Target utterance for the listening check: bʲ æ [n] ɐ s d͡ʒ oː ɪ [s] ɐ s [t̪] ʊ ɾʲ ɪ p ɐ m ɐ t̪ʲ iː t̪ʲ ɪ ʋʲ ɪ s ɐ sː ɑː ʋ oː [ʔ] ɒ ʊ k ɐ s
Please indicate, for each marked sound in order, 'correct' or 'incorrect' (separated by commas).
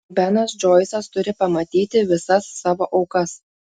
correct, correct, correct, correct